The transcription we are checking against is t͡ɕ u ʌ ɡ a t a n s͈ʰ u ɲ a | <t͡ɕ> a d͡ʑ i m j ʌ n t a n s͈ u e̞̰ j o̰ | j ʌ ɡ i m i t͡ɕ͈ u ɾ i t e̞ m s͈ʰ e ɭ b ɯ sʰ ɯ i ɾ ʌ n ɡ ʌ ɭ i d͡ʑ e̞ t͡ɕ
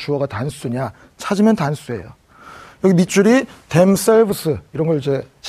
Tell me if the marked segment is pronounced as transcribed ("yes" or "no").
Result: no